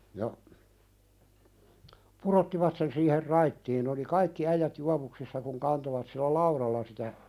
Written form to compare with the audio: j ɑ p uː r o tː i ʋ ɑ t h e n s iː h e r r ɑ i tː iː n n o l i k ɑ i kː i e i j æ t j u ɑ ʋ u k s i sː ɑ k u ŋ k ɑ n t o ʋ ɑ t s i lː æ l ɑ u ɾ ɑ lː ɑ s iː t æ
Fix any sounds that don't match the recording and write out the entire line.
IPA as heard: j ɑ p u r o tː i ʋ ɑ t s e n s iː h e r r ɑ i tː iː n n o l i k ɑ i kː i æ i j æ t j u ɑ ʋ u k s i sː ɑ k u ŋ k ɑ n t o ʋ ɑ t s i lː æ l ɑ u ɾ ɑ lː ɑ s i t æ